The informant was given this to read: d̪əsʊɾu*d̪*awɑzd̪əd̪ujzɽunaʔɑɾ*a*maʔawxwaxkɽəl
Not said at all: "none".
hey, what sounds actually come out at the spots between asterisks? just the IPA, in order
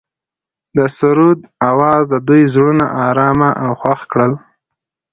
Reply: d̪, ɑ

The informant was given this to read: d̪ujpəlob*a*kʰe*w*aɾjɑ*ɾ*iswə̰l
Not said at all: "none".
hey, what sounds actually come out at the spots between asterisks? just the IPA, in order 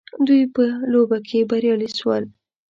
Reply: a, b, l

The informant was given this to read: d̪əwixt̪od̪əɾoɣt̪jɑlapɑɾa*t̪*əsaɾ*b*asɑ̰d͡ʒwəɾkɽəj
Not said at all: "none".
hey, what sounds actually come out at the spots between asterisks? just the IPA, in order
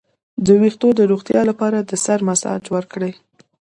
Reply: d̪, m

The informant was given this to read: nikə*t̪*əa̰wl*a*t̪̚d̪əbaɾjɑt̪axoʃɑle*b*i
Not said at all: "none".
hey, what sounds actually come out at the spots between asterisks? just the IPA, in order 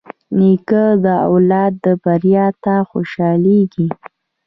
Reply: d̪, ɑ, ɡ

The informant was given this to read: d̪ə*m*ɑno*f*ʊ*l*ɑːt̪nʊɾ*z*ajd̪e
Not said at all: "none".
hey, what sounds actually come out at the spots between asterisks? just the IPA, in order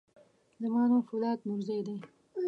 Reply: m, f, l, z

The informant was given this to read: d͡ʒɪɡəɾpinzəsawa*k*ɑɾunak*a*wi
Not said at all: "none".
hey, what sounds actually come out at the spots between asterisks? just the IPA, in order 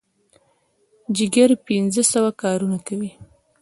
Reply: k, a

